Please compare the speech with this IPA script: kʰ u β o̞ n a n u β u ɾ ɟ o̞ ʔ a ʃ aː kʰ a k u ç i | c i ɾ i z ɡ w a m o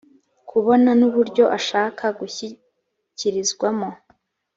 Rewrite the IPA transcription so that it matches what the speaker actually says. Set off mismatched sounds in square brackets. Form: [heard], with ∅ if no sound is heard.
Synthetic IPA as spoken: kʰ u β o̞ n a n u β u ɾ ɟ o̞ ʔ a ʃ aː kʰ a [ɡ] u ç i | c i ɾ i z ɡ w a m o